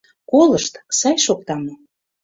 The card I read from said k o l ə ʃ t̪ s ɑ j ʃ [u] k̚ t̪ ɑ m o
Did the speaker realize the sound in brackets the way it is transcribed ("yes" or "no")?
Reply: no